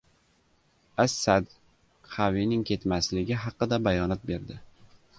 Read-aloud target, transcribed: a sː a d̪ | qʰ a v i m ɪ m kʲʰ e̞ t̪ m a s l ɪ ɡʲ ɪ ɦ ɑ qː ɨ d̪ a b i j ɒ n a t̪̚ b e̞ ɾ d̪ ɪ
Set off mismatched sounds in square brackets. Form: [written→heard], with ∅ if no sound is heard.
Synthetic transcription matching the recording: a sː a d̪ | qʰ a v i [m→n] ɪ [m→ŋ] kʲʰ e̞ t̪ m a s l ɪ ɡʲ ɪ ɦ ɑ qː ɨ d̪ a b [i→a] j ɒ n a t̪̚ b e̞ ɾ d̪ ɪ